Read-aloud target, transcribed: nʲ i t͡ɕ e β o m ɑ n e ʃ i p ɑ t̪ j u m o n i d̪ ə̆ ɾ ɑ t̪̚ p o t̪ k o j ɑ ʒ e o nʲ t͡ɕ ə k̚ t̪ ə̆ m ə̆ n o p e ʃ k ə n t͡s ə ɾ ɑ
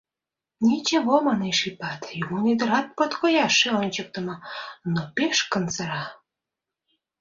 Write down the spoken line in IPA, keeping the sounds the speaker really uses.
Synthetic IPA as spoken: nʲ i t͡ɕ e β o m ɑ n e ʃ i p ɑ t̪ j u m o n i d̪ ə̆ ɾ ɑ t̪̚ p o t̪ k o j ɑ ʃ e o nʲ t͡ɕ ə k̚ t̪ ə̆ m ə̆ n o p e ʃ k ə n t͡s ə ɾ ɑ